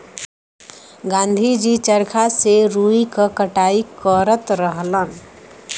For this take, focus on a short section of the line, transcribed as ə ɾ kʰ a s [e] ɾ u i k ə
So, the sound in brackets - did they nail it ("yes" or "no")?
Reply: yes